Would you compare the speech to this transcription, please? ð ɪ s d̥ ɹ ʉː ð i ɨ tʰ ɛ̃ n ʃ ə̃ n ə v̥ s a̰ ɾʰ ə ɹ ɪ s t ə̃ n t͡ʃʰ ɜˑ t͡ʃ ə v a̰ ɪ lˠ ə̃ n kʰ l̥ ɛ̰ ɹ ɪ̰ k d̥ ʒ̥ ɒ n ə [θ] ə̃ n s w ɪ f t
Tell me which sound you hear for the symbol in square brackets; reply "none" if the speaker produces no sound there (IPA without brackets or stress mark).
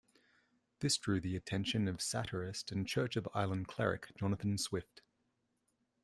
θ